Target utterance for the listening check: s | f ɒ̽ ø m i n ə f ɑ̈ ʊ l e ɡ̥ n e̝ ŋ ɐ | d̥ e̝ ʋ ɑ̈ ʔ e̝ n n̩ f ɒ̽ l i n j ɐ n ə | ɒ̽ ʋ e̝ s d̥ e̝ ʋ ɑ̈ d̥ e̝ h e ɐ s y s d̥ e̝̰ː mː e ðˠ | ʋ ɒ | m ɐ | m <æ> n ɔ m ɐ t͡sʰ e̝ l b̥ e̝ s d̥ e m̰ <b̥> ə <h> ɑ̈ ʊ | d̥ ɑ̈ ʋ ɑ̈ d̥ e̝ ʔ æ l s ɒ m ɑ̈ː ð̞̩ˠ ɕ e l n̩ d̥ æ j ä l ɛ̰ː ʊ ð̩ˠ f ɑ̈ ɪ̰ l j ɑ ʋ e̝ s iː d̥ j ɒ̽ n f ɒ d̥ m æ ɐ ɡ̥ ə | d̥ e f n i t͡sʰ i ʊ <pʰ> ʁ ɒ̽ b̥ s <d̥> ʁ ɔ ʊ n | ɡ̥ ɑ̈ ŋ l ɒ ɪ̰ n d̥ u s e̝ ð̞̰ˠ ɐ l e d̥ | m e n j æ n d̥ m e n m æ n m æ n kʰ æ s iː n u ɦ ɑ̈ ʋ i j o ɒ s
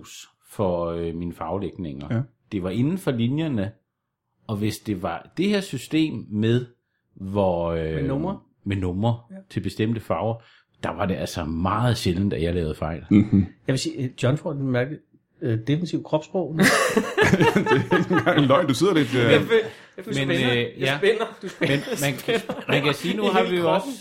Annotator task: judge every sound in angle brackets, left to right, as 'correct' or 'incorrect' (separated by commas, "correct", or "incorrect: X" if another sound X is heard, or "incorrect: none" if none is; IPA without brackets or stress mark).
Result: incorrect: e, incorrect: d̥, incorrect: f, incorrect: kʰ, incorrect: b̥